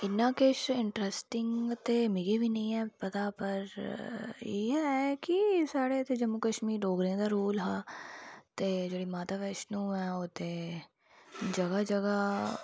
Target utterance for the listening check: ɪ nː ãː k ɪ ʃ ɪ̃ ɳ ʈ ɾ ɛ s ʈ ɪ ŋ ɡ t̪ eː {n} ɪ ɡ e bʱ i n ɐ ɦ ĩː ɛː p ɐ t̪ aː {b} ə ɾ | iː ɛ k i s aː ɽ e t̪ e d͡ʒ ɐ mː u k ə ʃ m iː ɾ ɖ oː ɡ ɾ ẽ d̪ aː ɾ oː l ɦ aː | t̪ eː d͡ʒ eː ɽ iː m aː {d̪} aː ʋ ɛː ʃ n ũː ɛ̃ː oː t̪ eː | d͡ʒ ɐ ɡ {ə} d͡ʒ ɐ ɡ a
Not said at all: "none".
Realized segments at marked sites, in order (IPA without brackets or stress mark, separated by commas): m, p, t̪, a